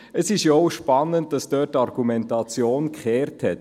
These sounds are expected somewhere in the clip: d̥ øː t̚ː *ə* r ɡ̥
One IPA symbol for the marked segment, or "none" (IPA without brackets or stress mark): ɑ